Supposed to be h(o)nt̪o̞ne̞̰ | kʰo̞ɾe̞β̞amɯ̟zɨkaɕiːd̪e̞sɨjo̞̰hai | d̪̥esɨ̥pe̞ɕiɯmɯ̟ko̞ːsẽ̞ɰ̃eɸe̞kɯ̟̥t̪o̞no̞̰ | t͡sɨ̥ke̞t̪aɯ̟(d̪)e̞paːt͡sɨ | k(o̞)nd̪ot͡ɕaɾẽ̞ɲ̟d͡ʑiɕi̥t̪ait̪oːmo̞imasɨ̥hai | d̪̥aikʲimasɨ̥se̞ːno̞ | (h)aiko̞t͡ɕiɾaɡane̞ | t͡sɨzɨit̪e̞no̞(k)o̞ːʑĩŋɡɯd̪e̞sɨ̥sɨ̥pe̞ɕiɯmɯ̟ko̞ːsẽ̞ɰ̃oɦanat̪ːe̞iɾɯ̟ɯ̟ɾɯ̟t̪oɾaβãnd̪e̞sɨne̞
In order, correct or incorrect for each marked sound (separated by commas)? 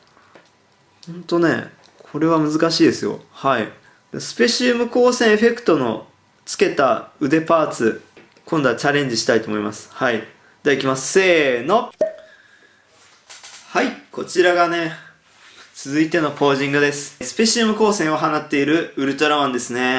incorrect, correct, incorrect, correct, incorrect